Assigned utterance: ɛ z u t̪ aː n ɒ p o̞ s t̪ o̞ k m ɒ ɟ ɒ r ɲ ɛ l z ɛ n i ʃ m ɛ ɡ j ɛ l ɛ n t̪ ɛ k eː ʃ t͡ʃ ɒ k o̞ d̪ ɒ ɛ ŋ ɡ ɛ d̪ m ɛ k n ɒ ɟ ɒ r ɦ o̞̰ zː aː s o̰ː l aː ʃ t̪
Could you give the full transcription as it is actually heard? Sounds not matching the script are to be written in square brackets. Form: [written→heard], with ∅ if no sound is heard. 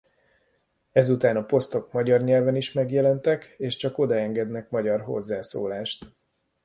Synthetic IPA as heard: ɛ z u t̪ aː n ɒ p o̞ s t̪ o̞ k m ɒ ɟ ɒ r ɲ ɛ l [z→v] ɛ n i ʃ m ɛ ɡ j ɛ l ɛ n t̪ ɛ k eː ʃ t͡ʃ ɒ k o̞ d̪ ɒ ɛ ŋ ɡ ɛ d̪ [m→n] ɛ k [n→m] ɒ ɟ ɒ r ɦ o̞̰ zː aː s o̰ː l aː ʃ t̪

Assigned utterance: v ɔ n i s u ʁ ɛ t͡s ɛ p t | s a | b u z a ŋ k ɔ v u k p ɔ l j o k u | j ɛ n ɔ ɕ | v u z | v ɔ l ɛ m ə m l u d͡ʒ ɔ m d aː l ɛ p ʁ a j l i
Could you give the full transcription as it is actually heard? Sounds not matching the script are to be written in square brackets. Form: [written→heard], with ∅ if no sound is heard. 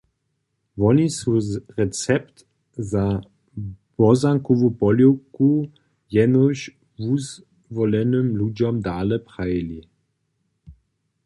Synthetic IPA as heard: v ɔ n i s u ʁ ɛ t͡s ɛ p t | [s→z] a | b [u→ɔ] z a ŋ k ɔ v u [k→∅] p ɔ l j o k u | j ɛ n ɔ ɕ | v u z | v ɔ l ɛ [m→n] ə m l u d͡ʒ ɔ m d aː l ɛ p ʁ a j l i

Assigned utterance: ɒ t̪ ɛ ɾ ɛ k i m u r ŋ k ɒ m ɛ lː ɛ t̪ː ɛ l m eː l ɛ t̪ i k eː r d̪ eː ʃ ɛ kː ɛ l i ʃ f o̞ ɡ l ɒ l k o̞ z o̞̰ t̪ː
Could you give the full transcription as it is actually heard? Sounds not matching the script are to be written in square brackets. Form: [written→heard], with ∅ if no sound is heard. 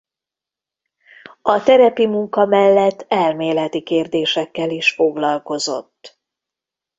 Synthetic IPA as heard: ɒ t̪ ɛ ɾ ɛ [k→p] i m u [r→∅] ŋ k ɒ m ɛ lː ɛ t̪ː ɛ l m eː l ɛ t̪ i k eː r d̪ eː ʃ ɛ kː ɛ l i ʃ f o̞ ɡ l ɒ l k o̞ z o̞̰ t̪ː

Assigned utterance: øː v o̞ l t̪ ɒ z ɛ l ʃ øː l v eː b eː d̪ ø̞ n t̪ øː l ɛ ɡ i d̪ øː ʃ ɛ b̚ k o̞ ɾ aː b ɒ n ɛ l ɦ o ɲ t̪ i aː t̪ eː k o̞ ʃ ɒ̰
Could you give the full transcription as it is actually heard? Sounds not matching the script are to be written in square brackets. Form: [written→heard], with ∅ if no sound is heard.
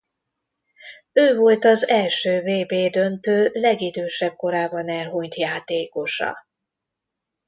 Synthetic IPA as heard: øː v o̞ l t̪ ɒ z ɛ l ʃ øː [l→∅] v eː b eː d̪ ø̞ n t̪ øː l ɛ ɡ i d̪ øː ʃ ɛ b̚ k o̞ ɾ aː b ɒ n ɛ l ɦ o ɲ t̪ [i→j] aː t̪ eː k o̞ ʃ ɒ̰

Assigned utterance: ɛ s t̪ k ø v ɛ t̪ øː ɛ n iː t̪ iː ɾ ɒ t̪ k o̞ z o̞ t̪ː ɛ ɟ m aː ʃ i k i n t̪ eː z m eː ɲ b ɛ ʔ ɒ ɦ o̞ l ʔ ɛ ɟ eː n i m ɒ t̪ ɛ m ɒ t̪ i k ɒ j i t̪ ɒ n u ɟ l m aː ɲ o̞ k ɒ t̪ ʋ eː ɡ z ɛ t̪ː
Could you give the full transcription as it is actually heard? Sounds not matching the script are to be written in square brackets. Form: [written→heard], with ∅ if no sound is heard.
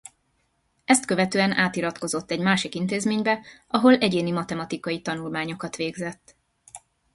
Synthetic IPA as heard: ɛ s t̪ k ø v ɛ t̪ øː ɛ n [iː→aː] t̪ [iː→i] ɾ ɒ t̪ k o̞ z o̞ t̪ː ɛ ɟ m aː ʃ i k i n t̪ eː z m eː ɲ b ɛ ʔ ɒ ɦ o̞ l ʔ ɛ ɟ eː n i m ɒ t̪ ɛ m ɒ t̪ i k ɒ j i t̪ ɒ n u [ɟ→∅] l m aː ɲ o̞ k ɒ t̪ ʋ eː ɡ z ɛ t̪ː

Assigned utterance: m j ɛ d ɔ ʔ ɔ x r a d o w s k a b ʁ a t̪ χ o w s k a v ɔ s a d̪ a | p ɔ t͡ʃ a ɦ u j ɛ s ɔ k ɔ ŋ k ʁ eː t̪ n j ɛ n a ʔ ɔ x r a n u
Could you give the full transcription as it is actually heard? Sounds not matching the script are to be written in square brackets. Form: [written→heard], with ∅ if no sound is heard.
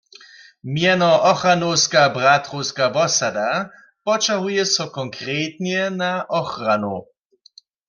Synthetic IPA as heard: m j ɛ [d→n] ɔ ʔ ɔ x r a [d→n] o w s k a b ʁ a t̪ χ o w s k a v ɔ s a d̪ a | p ɔ t͡ʃ a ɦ u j ɛ s ɔ k ɔ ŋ k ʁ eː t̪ n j ɛ n a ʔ ɔ x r a n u

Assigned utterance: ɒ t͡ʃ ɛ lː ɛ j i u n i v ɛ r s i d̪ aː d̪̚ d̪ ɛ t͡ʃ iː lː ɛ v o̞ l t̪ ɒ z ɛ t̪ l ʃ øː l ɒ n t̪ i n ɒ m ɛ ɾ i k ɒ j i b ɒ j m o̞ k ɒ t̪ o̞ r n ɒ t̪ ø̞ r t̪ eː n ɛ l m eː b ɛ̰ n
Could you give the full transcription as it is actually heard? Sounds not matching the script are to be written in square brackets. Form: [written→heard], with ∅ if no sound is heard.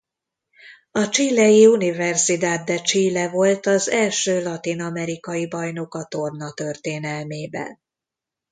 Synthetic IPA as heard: ɒ t͡ʃ [ɛ→i] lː ɛ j i u n i v ɛ r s i d̪ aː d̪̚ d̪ ɛ t͡ʃ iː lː ɛ v o̞ l t̪ ɒ z ɛ [t̪→∅] l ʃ øː l ɒ [n→∅] t̪ i n ɒ m ɛ ɾ i k ɒ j i b ɒ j [m→n] o̞ k ɒ t̪ o̞ r n ɒ t̪ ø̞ r t̪ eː n ɛ l m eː b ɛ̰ n

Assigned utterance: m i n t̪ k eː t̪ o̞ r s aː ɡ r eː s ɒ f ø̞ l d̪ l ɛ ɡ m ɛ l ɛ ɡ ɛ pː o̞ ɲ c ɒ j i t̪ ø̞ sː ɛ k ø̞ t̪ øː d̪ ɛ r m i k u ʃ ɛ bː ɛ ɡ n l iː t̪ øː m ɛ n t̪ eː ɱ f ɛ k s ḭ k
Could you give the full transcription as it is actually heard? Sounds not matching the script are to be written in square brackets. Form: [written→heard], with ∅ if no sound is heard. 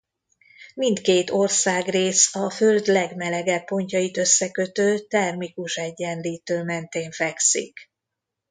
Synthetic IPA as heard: m i n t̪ k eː t̪ o̞ r s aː ɡ r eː s ɒ f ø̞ l d̪ l ɛ ɡ m ɛ l ɛ ɡ ɛ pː o̞ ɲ c ɒ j i t̪ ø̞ sː ɛ k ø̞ t̪ øː [d̪→t̪] ɛ r m i k u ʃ ɛ [bː→ɟː] ɛ [ɡ→∅] n l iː t̪ øː m ɛ n t̪ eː ɱ f ɛ k s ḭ k

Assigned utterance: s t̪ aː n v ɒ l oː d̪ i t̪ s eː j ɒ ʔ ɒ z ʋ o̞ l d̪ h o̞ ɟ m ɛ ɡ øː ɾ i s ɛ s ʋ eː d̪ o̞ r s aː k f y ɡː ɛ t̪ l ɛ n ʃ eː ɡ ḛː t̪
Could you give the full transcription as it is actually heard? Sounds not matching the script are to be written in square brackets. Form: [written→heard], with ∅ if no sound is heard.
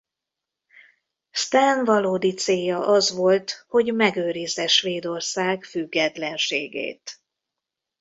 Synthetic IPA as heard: s t̪ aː n v ɒ l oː d̪ i t̪ s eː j ɒ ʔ ɒ z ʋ o̞ l [d̪→t̪] h o̞ ɟ m ɛ ɡ øː ɾ i [s→z] ɛ [s→ʃ] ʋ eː d̪ o̞ r s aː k f y ɡː ɛ t̪ l ɛ n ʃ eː ɡ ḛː t̪

